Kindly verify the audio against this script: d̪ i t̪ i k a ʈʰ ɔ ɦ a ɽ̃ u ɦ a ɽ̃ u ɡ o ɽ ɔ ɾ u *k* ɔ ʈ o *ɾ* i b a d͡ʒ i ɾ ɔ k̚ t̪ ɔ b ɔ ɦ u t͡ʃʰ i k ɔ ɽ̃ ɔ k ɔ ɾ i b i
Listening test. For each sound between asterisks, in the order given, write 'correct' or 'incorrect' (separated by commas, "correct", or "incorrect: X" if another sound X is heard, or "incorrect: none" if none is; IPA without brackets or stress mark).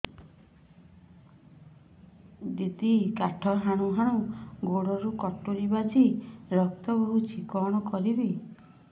correct, correct